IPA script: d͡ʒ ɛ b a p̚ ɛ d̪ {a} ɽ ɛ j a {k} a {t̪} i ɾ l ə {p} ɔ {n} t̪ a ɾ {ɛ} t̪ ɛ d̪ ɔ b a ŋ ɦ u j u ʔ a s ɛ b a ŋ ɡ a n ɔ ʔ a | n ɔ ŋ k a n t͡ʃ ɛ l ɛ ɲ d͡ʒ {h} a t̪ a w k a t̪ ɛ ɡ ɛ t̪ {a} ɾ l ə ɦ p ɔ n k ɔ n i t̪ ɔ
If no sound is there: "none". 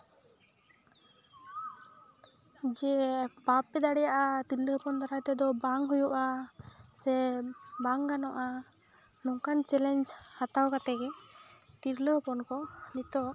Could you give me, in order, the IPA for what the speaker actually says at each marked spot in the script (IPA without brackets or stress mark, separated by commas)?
a, ʔ, t̪, p, n, a, h, i